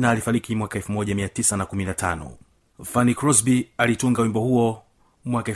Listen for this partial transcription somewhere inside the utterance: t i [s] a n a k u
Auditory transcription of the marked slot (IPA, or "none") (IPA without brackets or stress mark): s